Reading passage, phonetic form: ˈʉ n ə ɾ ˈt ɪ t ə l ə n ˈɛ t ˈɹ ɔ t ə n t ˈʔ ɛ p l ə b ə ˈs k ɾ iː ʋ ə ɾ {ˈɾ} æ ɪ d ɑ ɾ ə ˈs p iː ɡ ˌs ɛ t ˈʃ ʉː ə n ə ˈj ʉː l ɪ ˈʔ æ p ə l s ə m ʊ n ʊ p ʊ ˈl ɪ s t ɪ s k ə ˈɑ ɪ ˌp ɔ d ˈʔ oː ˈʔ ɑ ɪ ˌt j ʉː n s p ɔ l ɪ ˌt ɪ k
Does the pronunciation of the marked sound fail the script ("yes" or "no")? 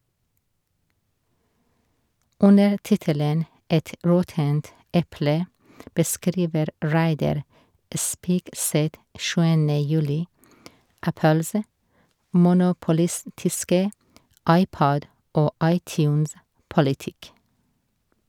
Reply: yes